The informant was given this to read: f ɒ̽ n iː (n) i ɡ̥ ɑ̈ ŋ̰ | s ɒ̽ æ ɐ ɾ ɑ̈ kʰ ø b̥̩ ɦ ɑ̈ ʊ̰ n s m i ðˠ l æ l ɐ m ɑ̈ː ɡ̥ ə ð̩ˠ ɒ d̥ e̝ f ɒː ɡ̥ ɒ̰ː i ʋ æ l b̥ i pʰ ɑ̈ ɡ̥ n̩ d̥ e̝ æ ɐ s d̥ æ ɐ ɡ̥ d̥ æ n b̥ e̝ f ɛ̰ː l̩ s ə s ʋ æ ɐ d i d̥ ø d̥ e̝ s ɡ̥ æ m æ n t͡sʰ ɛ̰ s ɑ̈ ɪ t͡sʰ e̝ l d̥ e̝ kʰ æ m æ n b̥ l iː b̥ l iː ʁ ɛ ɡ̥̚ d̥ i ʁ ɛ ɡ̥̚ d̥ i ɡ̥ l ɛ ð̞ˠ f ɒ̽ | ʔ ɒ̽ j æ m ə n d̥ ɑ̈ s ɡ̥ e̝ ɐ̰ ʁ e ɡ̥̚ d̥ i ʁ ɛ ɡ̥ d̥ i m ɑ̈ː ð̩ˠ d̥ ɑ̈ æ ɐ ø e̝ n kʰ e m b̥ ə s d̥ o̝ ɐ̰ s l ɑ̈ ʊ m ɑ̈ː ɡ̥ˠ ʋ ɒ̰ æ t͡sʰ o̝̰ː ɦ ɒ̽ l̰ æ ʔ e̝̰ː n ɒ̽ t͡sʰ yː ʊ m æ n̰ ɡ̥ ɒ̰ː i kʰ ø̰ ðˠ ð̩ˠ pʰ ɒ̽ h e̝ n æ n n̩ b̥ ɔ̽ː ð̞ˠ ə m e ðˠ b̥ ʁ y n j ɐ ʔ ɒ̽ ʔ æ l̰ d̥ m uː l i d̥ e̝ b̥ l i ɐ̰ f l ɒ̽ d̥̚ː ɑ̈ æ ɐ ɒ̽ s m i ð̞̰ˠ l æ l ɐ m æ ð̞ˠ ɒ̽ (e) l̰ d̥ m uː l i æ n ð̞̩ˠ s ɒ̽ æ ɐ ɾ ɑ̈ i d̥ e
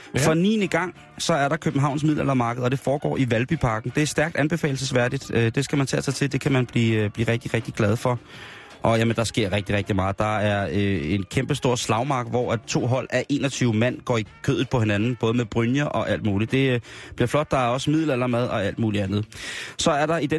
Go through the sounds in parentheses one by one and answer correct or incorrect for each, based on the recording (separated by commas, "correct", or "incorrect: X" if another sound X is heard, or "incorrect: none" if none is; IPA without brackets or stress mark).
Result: correct, incorrect: æ